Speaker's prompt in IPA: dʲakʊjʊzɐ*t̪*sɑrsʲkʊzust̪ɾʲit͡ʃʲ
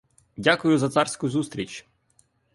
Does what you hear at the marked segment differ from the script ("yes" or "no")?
no